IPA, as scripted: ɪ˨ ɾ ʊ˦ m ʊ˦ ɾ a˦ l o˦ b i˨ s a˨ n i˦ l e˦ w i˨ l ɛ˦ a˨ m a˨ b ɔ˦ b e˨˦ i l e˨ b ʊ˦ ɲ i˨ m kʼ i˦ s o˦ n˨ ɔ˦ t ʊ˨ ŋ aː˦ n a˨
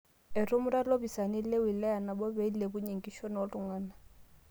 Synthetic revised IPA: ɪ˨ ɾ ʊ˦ m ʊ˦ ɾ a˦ l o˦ b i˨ s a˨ n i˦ l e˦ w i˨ l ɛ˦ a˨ n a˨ b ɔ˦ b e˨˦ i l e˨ b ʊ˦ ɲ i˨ ŋ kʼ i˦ ʃ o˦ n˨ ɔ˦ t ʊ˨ ŋ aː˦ n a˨